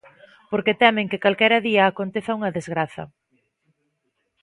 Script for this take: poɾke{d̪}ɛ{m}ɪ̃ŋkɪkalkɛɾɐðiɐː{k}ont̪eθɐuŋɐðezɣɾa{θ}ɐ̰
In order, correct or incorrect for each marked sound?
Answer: incorrect, correct, correct, correct

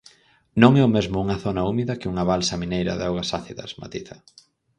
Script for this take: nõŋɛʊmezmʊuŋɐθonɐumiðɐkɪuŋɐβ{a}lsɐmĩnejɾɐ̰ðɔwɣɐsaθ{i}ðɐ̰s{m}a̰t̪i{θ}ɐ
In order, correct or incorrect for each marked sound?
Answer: correct, correct, correct, correct

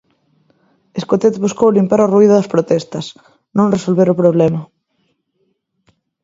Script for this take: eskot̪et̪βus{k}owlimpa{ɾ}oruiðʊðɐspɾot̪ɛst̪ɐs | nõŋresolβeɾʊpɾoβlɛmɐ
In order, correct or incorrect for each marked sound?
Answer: correct, correct

